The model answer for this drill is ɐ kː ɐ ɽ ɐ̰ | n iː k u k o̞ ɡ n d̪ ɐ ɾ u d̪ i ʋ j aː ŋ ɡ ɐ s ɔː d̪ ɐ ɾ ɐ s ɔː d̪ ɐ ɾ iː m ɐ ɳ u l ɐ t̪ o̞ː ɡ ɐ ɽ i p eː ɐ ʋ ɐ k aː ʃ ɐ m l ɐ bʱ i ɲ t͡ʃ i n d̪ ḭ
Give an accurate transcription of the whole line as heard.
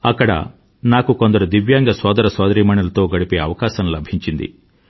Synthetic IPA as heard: ɐ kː ɐ ɽ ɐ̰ | n aː k u k o̞ n d̪ ɐ ɾ u d̪ i ʋ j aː ŋ ɡ ɐ s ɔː d̪ ɐ ɾ ɐ s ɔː d̪ ɐ ɾ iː m ɐ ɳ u l ɐ t̪ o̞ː ɡ ɐ ɽ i p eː ɐ ʋ ɐ k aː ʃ ɐ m l ɐ bʱ i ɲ t͡ʃ i n d̪ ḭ